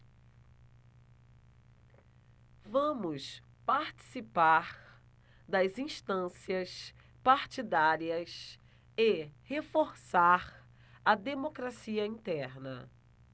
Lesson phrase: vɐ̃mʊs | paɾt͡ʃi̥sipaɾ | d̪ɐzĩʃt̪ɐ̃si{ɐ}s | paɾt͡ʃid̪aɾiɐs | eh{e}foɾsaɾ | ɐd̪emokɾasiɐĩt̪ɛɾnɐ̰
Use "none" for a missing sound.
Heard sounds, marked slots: ɐ, e

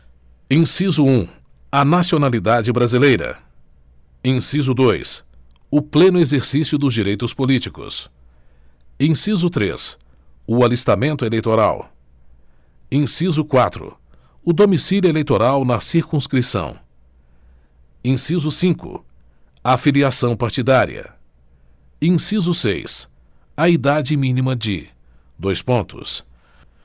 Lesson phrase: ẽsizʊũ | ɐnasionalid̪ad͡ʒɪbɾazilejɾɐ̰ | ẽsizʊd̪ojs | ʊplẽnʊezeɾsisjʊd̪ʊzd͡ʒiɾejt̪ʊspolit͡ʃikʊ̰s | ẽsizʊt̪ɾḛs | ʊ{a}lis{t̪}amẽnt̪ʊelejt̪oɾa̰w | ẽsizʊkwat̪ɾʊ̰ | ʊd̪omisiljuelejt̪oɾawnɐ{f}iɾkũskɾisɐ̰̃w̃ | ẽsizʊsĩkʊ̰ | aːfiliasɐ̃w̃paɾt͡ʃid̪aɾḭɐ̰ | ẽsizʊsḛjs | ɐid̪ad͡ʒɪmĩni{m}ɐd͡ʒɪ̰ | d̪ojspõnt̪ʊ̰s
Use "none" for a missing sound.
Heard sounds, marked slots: a, t̪, s, m

